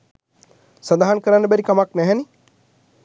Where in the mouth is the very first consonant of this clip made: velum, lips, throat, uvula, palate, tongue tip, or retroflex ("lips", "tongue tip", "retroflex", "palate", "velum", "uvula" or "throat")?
tongue tip